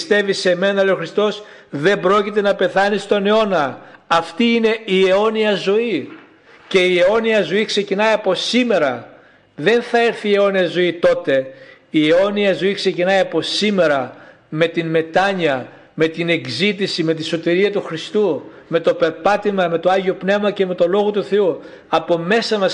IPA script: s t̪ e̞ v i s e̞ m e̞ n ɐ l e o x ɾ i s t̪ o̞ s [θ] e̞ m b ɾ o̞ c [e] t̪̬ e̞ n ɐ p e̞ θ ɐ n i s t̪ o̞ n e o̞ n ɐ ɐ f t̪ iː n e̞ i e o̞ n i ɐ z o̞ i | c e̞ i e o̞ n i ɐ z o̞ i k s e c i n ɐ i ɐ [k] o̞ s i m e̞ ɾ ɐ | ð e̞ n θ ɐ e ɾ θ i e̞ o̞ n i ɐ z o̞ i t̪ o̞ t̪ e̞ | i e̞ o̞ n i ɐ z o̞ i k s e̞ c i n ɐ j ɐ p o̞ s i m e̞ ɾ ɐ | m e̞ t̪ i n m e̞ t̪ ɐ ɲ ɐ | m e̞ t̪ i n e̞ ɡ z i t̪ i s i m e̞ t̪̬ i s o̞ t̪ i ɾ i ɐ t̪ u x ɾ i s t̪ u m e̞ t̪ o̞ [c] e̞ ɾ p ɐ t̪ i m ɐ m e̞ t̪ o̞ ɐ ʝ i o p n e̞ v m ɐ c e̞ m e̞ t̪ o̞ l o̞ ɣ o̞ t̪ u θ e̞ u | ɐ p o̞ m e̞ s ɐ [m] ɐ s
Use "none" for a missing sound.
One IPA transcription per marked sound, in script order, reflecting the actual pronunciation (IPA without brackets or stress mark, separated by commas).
ð, i, p, p, m